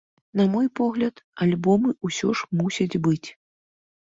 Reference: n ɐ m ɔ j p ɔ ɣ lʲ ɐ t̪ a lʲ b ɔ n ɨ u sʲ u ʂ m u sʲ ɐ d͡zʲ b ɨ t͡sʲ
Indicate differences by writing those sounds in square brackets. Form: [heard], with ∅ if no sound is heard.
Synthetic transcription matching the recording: n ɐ m ɔ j p ɔ ɣ lʲ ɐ t̪ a lʲ b ɔ [m] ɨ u sʲ [ɔ] ʂ m u sʲ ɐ d͡zʲ b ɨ t͡sʲ